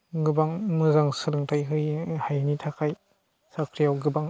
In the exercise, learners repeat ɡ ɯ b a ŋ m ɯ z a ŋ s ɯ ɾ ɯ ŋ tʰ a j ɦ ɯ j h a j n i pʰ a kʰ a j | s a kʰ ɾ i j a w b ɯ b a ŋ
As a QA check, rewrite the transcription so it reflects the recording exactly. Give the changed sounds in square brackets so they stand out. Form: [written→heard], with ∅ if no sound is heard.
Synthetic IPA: ɡ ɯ b a ŋ m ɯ z a ŋ s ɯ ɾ ɯ ŋ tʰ a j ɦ ɯ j h a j n i [pʰ→tʰ] a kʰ a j | s a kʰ ɾ i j a w [b→ɡ] ɯ b a ŋ